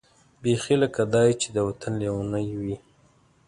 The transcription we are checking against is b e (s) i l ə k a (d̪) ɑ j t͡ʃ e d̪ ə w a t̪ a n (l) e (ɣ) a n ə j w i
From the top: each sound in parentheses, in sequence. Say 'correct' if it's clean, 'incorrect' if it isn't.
incorrect, correct, correct, incorrect

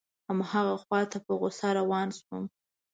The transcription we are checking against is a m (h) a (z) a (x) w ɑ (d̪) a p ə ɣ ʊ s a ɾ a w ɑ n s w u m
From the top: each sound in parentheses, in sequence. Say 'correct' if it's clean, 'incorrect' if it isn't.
correct, incorrect, correct, incorrect

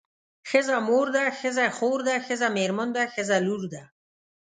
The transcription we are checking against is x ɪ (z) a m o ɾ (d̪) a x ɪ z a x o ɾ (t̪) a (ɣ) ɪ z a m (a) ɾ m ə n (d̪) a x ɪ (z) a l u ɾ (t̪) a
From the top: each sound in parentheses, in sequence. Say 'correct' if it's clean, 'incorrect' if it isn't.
correct, correct, incorrect, incorrect, incorrect, correct, correct, incorrect

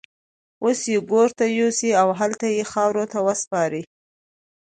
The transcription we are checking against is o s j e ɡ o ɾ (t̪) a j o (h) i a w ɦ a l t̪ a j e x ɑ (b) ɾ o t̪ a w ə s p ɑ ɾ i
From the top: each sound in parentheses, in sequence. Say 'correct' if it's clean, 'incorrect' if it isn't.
correct, incorrect, incorrect

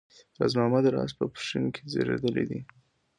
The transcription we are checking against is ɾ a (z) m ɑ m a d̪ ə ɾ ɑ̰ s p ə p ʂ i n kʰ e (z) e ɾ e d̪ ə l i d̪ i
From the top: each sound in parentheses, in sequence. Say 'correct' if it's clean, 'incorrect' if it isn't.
correct, correct

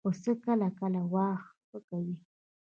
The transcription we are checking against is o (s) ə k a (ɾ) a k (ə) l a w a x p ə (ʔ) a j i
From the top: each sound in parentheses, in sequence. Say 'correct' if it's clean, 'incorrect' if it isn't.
correct, incorrect, incorrect, incorrect

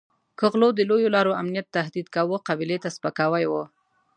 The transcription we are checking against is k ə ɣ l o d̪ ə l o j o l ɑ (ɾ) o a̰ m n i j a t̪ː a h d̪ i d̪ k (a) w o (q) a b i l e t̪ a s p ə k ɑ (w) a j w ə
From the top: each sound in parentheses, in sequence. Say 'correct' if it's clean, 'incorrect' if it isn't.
correct, correct, correct, correct

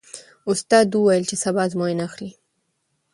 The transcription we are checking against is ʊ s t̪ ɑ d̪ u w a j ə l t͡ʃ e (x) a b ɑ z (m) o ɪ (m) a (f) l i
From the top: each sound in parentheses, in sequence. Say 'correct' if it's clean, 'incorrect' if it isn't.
incorrect, correct, incorrect, incorrect

